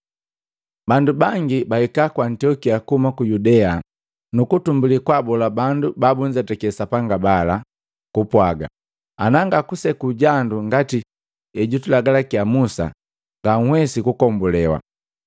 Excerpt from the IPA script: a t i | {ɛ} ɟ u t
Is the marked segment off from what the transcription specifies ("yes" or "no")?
no